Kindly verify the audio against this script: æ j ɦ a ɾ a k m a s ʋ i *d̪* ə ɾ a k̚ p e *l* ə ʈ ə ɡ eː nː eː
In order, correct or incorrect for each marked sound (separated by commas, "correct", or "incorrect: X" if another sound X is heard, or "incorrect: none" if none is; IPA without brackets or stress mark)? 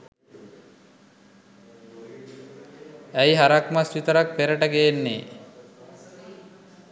incorrect: t̪, incorrect: ɾ